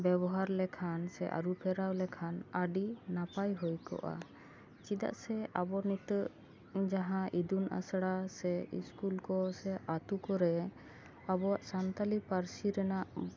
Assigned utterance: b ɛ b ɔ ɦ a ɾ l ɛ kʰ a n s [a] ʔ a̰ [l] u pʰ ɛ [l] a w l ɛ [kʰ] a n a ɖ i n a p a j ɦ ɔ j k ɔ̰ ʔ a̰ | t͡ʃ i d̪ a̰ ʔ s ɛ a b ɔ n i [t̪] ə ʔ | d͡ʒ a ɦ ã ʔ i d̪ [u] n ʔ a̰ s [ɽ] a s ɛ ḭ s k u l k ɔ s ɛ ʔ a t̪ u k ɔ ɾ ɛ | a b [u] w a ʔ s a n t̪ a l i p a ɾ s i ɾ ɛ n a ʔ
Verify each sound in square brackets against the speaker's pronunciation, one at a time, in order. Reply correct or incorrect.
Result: incorrect, incorrect, incorrect, correct, correct, correct, correct, incorrect

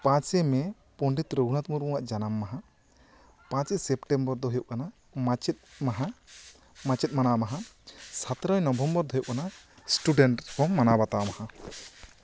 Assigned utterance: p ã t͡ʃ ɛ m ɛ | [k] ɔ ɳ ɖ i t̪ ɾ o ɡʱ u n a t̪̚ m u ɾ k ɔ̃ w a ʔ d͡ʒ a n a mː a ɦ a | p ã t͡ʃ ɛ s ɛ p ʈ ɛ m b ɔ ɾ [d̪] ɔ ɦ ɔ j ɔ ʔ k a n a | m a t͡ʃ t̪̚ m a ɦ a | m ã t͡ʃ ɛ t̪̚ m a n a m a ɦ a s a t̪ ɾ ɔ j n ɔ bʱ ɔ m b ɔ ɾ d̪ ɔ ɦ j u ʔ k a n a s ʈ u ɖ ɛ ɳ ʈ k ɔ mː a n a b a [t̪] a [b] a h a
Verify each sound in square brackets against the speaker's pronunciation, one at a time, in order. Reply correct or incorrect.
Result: incorrect, correct, correct, incorrect

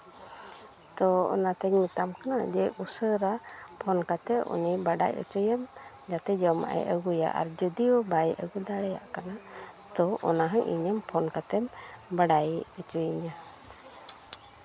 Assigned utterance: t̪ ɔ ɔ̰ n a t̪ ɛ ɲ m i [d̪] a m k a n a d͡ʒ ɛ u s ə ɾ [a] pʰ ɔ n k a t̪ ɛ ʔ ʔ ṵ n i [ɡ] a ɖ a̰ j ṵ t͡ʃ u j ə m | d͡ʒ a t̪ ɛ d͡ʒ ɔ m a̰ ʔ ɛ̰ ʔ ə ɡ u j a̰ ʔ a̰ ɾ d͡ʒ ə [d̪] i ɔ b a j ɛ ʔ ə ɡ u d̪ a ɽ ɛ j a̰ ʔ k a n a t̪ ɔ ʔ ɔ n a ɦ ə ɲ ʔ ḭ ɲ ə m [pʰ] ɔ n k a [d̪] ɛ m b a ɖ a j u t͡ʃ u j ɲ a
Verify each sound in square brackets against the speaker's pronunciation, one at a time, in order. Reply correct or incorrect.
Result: incorrect, correct, incorrect, correct, correct, incorrect

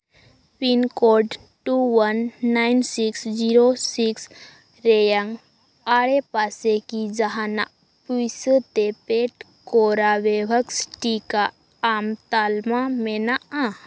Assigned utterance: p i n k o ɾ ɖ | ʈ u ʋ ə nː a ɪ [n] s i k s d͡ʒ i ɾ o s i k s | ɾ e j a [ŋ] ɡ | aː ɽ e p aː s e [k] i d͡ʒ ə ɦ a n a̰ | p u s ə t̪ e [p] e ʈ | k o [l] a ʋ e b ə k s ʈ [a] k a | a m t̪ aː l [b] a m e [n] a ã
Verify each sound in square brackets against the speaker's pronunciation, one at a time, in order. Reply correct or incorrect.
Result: correct, correct, correct, correct, incorrect, incorrect, incorrect, correct

